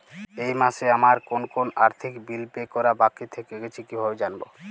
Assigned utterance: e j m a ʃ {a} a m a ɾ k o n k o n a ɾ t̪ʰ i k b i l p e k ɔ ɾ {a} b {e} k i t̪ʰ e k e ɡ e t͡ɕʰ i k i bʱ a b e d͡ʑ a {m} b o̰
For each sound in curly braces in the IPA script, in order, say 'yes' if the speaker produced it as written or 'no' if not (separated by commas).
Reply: no, yes, no, no